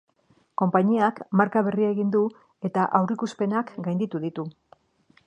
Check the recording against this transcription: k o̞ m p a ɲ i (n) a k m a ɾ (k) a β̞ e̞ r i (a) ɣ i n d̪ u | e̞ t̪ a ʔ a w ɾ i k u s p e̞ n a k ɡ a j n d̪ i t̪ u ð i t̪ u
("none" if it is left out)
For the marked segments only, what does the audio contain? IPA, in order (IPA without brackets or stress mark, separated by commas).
none, k, e